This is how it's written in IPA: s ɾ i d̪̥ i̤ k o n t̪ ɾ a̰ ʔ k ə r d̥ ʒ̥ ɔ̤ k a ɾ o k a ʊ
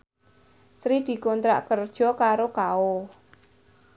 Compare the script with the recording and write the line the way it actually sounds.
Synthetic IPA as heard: s ɾ i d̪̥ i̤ k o n t̪ ɾ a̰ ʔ k ə r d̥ ʒ̥ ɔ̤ k a ɾ o k a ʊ